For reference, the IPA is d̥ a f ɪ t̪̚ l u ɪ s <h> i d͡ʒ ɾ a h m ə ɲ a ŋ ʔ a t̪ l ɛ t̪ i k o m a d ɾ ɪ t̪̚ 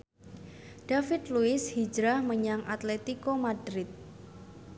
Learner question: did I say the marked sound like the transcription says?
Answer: yes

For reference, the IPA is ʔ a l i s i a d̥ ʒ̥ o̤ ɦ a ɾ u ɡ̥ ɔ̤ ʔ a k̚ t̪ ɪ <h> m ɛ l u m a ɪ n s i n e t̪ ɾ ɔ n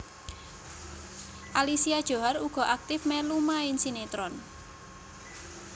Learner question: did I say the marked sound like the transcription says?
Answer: no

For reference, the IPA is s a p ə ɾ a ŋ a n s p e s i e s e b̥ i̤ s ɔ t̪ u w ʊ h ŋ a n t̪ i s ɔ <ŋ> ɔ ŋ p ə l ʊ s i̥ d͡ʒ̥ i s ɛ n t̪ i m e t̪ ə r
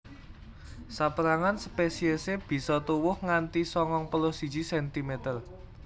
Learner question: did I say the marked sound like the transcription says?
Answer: yes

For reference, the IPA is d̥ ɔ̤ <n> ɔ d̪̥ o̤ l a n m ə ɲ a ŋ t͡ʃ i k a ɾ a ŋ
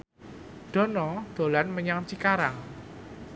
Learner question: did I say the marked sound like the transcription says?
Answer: yes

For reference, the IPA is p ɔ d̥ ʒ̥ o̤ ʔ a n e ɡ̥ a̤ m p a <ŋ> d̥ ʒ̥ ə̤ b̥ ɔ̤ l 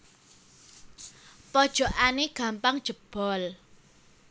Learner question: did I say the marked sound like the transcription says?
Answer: yes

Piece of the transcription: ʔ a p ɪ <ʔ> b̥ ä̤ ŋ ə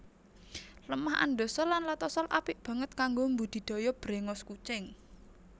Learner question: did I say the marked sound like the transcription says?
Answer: yes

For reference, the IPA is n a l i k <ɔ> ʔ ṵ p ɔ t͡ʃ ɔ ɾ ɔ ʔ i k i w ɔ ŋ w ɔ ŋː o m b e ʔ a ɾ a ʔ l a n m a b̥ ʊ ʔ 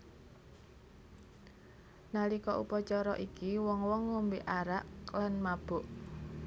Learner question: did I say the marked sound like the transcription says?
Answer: yes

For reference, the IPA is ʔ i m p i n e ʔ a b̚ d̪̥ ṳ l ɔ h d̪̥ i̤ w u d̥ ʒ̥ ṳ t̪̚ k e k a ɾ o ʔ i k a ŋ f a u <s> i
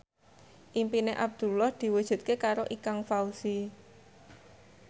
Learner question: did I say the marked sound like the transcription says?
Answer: yes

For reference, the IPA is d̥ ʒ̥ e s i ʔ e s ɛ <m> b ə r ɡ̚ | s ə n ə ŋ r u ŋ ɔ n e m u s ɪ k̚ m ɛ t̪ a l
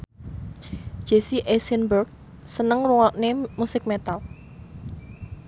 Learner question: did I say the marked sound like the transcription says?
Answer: no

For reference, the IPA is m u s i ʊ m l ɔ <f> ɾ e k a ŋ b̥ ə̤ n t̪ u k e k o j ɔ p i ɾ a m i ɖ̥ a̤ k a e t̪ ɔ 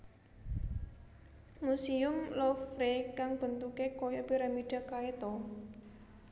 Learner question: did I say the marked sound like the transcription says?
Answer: yes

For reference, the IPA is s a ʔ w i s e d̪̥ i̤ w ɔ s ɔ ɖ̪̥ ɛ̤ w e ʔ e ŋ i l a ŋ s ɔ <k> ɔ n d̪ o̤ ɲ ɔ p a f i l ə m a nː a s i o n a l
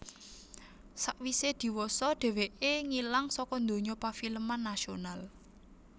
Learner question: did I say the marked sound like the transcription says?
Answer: yes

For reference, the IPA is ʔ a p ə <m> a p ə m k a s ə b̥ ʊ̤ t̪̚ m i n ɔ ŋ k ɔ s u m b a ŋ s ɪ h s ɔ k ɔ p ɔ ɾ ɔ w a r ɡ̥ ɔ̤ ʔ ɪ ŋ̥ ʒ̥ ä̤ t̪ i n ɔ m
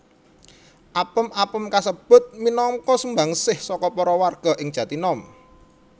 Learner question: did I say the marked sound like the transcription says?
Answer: yes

